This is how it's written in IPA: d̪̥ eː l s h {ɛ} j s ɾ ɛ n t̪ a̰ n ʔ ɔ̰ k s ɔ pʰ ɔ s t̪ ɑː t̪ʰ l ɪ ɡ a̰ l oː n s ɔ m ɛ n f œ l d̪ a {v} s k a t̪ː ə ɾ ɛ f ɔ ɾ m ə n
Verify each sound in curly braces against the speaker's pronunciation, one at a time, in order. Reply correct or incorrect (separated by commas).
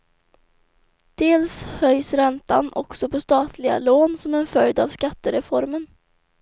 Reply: incorrect, correct